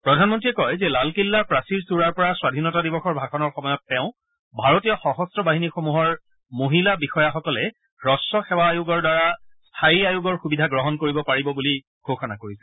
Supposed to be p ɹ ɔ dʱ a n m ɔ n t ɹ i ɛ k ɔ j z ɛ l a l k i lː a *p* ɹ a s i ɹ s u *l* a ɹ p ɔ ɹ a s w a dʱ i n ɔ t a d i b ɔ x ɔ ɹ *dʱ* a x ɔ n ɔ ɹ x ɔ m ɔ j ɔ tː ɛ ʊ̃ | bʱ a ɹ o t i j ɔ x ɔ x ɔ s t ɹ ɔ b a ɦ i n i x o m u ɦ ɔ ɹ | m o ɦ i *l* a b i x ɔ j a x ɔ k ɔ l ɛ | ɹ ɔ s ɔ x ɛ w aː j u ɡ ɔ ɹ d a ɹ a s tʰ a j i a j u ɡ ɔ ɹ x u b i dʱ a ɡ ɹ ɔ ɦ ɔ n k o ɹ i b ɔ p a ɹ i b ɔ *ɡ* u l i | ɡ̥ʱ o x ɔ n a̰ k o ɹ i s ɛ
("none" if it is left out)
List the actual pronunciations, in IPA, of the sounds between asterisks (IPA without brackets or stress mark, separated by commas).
p, ɹ, bʱ, l, b